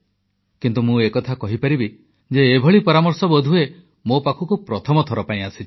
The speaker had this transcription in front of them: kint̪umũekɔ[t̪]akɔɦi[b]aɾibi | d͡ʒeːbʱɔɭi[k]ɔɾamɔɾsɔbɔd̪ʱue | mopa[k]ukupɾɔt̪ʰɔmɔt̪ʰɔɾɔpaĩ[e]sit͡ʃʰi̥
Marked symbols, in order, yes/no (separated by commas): no, no, no, no, no